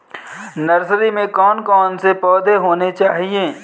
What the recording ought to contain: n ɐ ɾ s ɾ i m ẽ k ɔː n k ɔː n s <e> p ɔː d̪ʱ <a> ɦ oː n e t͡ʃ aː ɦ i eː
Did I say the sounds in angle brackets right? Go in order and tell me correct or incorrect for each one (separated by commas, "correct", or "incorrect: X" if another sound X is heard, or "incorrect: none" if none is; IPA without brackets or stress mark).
correct, incorrect: e